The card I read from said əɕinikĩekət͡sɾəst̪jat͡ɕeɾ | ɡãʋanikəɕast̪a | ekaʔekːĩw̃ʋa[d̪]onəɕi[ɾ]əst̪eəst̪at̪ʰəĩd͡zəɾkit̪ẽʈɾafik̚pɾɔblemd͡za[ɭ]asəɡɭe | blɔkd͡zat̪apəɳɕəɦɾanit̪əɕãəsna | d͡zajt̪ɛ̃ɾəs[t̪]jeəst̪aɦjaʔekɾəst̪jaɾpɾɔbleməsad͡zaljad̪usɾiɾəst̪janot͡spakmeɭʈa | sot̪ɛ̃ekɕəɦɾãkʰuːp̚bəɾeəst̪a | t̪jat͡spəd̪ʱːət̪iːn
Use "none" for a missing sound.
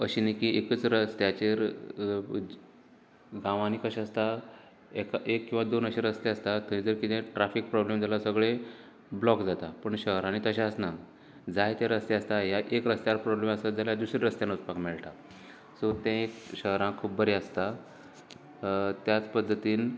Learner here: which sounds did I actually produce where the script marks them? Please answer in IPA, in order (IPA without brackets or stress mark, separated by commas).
d̪, ɾ, l, t̪